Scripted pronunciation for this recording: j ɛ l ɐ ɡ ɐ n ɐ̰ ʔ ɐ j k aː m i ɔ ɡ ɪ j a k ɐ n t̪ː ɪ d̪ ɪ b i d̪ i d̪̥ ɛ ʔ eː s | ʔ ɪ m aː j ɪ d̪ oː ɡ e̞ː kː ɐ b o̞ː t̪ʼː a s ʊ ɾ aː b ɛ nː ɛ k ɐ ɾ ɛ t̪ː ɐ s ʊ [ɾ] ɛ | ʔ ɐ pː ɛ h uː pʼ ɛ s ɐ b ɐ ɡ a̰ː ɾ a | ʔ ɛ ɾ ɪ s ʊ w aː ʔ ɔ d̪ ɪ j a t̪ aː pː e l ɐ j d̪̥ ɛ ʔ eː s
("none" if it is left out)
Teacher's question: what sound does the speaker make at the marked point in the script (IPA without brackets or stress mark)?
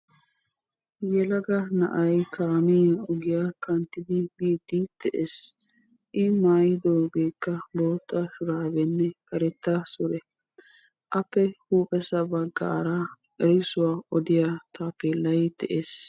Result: ɾ